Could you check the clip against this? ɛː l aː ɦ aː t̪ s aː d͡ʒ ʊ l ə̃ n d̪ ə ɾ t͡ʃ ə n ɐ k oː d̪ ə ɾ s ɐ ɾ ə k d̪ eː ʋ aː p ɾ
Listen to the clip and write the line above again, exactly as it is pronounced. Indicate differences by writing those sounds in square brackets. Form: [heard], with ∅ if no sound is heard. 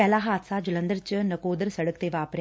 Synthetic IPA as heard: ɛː l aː ɦ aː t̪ s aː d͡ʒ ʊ l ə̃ n d̪ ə ɾ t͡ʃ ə n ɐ k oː d̪ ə ɾ s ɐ [ɽ] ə k [t̪] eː ʋ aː p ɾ